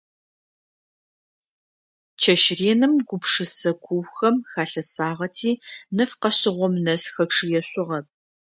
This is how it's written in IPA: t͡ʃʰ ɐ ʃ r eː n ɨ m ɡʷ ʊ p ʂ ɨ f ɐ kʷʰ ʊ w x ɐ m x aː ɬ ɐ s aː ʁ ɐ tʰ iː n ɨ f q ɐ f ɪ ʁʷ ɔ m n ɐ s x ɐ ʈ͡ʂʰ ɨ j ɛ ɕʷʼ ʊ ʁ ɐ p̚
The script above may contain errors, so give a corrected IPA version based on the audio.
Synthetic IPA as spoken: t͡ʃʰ ɐ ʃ r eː n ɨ m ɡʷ ʊ p ʂ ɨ s ɐ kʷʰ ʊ w x ɐ m x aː ɬ ɐ s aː ʁ ɐ tʰ iː n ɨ f q ɐ ɕ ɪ ʁʷ ɔ m n ɐ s x ɐ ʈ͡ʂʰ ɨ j ɛ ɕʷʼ ʊ ʁ ɐ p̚